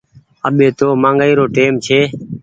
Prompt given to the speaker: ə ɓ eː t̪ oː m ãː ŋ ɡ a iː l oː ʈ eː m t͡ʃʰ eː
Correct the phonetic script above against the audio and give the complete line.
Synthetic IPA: ə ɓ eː t̪ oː m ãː ŋ ɡ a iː ɾ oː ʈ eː m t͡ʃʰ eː